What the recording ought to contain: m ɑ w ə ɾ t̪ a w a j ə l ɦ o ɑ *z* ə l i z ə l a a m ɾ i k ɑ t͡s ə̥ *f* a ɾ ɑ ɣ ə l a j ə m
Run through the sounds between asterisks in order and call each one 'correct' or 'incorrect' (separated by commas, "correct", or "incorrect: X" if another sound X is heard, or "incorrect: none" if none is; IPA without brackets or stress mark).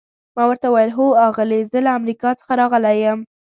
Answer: incorrect: ɣ, incorrect: x